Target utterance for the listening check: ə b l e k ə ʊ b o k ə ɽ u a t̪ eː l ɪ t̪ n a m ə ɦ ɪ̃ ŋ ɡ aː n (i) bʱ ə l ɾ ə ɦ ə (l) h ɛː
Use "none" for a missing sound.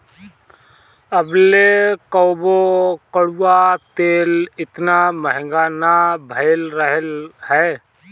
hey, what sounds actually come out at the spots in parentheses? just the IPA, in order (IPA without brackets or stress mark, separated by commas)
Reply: a, l